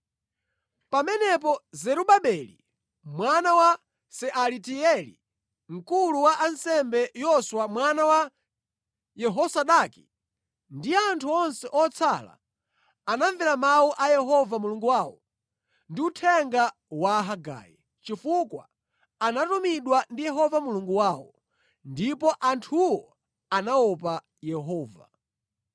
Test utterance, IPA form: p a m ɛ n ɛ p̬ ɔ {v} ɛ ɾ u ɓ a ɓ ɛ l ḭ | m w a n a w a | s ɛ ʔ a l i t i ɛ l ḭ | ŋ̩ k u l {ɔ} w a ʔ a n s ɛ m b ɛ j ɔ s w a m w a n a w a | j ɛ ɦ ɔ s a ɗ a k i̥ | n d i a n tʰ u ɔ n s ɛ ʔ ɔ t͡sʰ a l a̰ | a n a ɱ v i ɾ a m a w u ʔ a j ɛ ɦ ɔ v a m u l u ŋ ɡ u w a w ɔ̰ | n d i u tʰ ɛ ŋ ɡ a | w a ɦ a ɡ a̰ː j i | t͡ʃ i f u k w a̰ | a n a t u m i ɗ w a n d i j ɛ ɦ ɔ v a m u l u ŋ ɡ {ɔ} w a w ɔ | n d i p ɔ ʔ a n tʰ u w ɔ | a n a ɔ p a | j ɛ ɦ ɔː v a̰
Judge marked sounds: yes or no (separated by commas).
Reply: no, no, no